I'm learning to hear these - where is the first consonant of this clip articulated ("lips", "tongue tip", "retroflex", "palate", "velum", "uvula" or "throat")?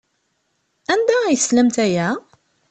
tongue tip